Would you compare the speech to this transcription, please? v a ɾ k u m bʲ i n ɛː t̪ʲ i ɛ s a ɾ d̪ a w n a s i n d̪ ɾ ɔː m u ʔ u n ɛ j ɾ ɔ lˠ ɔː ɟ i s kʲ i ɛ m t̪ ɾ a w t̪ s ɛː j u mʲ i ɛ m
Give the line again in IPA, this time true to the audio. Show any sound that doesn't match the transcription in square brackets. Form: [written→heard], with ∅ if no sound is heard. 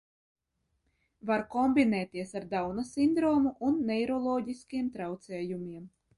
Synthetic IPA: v a ɾ k [u→ɔ] m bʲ i n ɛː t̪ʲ i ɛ s a ɾ d̪ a w n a s i n d̪ ɾ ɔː m u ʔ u [n→nː] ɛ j ɾ ɔ lˠ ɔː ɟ i s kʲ i ɛ m t̪ ɾ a w t̪ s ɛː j u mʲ i ɛ m